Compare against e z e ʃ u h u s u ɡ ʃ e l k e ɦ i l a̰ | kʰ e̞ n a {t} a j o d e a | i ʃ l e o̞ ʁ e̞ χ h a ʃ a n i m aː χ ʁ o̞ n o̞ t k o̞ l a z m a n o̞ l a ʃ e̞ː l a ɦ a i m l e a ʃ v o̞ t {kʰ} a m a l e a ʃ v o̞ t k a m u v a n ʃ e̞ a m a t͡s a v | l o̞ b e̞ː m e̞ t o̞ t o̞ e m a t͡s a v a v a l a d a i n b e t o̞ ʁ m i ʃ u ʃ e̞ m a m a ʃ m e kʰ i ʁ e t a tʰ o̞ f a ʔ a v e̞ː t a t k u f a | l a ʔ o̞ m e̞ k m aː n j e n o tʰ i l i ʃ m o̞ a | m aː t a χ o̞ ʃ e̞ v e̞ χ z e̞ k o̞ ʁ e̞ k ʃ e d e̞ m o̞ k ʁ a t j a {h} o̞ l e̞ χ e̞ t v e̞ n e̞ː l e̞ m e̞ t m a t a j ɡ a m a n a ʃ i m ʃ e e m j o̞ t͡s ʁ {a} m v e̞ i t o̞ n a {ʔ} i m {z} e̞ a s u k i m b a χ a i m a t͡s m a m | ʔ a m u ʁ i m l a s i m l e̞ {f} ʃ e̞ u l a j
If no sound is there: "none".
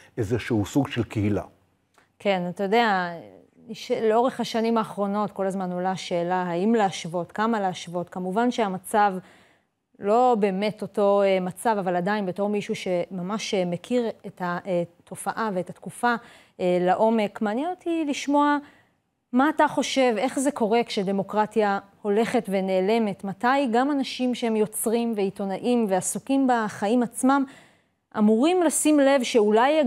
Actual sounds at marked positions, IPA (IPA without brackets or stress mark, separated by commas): t, k, h, i, ʔ, v, v